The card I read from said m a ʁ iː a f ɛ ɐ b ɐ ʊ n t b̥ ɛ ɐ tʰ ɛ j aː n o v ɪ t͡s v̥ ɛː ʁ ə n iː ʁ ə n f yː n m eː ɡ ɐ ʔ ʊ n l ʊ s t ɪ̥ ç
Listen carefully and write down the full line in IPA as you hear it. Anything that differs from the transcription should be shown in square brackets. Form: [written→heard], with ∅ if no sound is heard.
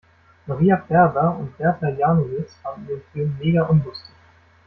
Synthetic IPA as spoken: m a ʁ iː a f ɛ ɐ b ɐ ʊ n t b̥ ɛ ɐ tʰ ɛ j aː n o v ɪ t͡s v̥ [ɛː→aː] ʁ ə n iː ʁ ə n f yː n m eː ɡ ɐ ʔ ʊ n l ʊ s t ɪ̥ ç